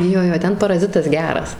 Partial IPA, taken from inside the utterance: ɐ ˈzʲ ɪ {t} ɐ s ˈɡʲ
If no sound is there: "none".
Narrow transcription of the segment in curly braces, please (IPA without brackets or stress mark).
t